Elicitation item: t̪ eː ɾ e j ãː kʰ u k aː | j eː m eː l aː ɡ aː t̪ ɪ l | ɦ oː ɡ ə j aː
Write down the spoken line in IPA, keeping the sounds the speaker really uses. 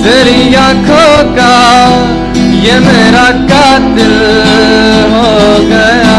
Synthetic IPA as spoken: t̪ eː ɾ i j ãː kʰ o k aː | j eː m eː ɾ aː k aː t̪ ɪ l | ɦ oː ɡ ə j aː